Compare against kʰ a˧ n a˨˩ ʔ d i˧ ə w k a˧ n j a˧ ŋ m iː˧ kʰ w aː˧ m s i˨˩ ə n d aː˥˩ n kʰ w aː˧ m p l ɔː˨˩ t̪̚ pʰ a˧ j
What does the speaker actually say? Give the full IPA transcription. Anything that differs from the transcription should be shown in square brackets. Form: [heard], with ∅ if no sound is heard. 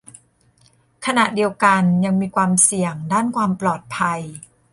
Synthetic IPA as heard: kʰ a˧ n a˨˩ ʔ d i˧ ə w k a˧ n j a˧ ŋ m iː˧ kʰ w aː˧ m s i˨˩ ə [ŋ] d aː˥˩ n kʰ w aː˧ m p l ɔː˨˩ t̪̚ pʰ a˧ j